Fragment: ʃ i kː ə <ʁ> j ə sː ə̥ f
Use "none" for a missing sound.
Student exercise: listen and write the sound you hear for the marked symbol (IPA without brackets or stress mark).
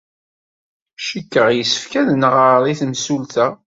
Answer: ʁ